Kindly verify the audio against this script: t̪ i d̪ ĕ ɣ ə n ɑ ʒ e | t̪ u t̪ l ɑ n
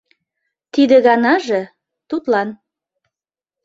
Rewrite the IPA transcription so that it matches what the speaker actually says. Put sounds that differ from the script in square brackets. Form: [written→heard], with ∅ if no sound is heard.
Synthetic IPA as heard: t̪ i d̪ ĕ ɣ [ə→ɑ] n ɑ ʒ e | t̪ u t̪ l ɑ n

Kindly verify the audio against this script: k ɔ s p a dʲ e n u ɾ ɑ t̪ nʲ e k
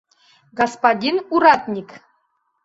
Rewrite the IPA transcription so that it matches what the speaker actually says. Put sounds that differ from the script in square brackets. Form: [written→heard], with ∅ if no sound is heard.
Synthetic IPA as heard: [k→ɡ] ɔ s p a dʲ [e→i] n u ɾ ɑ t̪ nʲ [e→i] k

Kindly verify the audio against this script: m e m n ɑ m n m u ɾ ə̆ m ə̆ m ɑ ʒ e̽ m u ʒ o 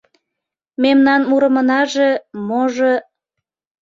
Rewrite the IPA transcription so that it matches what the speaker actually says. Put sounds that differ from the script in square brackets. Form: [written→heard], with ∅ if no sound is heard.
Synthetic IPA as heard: m e m n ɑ [m→∅] n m u ɾ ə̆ m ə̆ [m→n] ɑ ʒ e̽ m [u→o] ʒ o

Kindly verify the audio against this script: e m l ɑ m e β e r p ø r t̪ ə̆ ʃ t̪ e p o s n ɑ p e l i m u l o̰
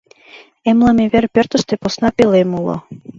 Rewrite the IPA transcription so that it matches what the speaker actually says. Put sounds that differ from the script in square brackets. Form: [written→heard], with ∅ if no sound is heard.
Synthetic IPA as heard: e m l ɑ m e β e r p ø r t̪ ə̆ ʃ t̪ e p o s n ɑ p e l [i→e] m u l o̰

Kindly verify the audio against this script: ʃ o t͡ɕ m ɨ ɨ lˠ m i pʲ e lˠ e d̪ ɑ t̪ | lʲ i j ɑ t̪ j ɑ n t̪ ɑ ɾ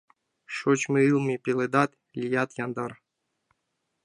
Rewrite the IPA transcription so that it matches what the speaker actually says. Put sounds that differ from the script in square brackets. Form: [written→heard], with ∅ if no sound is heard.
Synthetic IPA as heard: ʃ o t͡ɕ m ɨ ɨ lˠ m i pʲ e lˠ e d̪ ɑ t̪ | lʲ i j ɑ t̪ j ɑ n [t̪→d̪] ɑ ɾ

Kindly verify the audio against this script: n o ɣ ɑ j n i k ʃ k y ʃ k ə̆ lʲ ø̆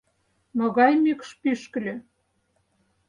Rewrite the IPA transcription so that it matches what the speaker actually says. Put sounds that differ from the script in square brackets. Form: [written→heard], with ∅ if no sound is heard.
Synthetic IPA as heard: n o ɣ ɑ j [n→m] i k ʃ [k→p] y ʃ k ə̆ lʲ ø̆

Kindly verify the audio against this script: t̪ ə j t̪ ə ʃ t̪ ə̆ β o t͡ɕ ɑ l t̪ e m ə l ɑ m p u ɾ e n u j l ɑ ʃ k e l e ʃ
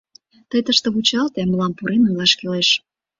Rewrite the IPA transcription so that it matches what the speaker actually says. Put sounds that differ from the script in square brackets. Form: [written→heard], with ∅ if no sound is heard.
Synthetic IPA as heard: t̪ ə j t̪ ə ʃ t̪ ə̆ β [o→u] t͡ɕ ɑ l t̪ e m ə l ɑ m p u ɾ e n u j l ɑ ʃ k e l e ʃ

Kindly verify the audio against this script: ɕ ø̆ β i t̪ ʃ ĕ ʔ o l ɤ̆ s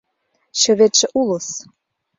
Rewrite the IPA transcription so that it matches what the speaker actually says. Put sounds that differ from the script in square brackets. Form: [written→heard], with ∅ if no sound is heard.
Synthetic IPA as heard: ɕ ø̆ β [i→e] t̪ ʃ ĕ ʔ [o→u] l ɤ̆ s

